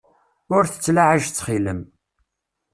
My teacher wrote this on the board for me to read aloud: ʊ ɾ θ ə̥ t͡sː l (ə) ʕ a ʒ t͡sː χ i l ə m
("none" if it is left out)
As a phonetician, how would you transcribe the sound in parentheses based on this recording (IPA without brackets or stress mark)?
a